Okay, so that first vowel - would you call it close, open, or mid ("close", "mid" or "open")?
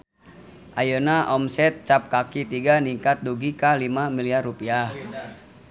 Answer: open